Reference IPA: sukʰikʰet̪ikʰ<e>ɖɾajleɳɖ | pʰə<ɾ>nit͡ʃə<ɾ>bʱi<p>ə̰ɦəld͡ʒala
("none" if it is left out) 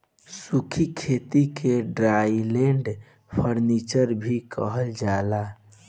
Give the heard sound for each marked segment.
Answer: e, ɾ, ɾ, k

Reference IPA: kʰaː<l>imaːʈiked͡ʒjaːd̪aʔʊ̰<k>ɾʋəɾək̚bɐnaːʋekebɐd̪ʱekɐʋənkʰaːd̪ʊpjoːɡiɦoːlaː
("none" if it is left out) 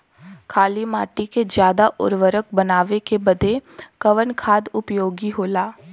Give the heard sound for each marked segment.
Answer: l, none

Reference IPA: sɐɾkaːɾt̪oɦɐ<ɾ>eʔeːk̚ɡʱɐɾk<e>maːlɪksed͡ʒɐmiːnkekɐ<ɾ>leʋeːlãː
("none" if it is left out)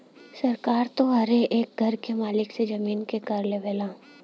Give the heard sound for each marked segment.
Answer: ɾ, e, ɾ

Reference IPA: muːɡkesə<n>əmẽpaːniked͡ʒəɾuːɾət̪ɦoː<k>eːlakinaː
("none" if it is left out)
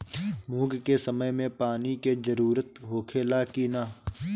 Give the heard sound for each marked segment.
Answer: m, kʰ

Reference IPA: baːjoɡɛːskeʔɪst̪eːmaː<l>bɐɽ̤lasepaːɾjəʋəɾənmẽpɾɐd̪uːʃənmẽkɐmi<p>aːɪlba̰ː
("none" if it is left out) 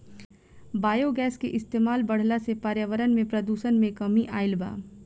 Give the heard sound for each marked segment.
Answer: l, ʔ

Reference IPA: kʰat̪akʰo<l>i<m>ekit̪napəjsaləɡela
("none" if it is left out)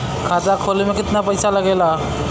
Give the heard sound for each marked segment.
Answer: l, m

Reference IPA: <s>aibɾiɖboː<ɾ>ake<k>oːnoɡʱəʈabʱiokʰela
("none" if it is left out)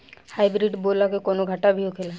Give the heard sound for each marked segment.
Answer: h, l, k

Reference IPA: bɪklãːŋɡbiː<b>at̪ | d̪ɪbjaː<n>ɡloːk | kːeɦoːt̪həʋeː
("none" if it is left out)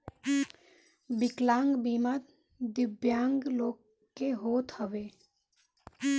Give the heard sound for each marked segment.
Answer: m, ŋ

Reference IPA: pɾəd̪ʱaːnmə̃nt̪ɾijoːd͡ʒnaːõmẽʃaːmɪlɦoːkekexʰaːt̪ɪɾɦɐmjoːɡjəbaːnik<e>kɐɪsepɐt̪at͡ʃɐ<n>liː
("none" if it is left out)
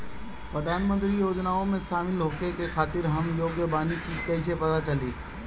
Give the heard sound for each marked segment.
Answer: i, none

